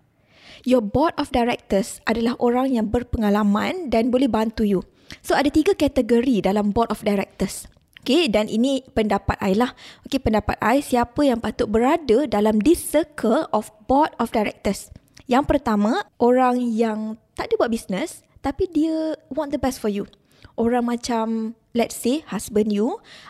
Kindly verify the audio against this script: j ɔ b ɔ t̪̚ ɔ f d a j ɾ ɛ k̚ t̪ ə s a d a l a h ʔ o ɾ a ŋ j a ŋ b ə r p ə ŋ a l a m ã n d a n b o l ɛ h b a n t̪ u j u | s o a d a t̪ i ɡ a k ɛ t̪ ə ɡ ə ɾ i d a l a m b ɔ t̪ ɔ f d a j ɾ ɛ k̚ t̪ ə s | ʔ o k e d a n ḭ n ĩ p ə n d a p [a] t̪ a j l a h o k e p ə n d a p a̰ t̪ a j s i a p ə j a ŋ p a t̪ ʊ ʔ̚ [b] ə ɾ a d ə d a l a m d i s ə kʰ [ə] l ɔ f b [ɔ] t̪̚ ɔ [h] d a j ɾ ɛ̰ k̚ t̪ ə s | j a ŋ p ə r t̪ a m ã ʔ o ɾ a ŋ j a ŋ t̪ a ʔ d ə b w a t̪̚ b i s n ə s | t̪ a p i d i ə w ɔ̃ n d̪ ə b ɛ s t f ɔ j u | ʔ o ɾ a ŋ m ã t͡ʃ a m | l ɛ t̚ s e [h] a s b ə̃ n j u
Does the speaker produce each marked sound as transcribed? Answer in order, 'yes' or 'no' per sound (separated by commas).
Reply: yes, yes, yes, yes, no, yes